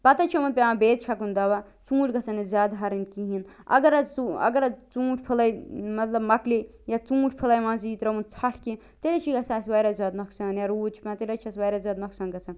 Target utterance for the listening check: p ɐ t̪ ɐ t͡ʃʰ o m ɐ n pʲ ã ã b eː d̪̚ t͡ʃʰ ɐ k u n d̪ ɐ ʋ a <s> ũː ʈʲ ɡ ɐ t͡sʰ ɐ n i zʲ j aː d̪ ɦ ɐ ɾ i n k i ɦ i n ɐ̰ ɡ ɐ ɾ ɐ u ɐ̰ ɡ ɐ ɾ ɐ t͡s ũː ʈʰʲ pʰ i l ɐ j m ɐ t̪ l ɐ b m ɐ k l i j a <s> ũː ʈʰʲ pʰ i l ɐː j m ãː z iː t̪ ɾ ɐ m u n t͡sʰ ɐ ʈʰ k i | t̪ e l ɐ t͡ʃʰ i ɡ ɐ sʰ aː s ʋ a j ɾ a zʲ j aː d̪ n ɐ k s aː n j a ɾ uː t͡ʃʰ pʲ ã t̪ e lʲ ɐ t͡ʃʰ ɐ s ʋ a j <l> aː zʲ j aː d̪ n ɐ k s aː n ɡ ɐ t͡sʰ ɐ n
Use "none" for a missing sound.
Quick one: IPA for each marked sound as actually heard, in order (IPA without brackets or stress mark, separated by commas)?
t͡s, t͡s, ɾ